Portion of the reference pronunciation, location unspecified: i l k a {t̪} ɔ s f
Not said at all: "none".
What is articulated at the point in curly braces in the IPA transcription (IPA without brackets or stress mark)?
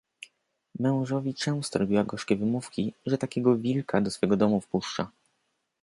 d̪